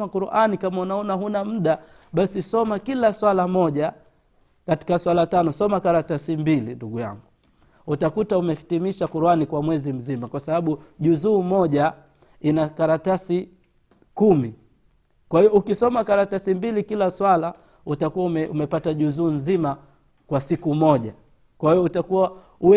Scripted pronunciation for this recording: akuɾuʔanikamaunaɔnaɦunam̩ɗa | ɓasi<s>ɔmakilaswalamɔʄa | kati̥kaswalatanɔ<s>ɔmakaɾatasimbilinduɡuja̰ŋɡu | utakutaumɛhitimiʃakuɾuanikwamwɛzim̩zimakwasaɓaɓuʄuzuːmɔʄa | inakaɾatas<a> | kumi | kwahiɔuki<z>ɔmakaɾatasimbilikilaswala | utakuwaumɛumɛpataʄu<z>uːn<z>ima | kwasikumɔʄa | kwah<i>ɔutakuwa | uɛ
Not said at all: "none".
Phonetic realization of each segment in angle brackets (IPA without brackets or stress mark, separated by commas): s, s, i, s, z, z, i